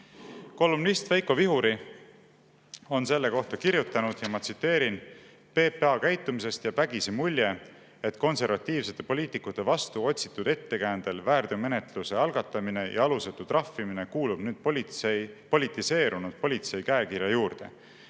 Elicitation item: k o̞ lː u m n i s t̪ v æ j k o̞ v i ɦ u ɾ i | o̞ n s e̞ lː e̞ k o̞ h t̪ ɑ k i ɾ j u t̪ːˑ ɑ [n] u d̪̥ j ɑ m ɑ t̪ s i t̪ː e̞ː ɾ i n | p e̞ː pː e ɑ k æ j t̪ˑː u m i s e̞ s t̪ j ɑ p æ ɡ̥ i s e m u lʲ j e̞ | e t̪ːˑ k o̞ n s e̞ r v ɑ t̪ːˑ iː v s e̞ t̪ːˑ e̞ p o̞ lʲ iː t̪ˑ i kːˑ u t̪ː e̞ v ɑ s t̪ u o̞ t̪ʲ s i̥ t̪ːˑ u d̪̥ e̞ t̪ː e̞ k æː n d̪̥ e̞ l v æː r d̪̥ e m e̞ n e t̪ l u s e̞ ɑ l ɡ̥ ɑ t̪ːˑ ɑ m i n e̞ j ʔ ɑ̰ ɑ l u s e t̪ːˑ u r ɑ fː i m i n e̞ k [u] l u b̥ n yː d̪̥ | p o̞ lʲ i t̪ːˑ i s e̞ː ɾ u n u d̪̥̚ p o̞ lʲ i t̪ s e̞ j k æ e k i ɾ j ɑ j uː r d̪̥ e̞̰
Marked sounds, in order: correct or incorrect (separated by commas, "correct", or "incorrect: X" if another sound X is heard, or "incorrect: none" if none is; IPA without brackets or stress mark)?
correct, incorrect: uː